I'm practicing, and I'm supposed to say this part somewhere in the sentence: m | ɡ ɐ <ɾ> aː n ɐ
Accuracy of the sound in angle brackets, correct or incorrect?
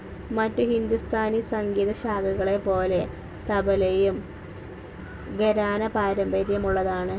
correct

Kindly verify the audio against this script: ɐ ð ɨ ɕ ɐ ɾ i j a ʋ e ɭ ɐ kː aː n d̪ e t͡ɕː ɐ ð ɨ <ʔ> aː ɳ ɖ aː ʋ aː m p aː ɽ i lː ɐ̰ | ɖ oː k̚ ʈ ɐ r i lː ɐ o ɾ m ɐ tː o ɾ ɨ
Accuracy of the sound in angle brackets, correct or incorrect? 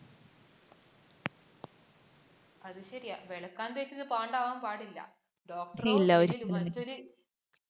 incorrect: p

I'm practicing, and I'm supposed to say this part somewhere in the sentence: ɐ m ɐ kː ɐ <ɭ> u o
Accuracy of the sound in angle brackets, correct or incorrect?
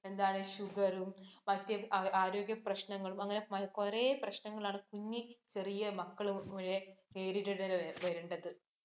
correct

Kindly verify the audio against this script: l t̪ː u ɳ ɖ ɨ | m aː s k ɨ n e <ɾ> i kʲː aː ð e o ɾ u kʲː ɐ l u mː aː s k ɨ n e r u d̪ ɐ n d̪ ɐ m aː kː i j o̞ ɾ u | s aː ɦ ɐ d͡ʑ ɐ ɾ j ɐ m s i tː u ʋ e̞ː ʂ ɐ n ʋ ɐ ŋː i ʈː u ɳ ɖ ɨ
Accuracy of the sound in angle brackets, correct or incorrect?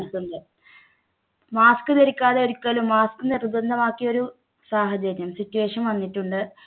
correct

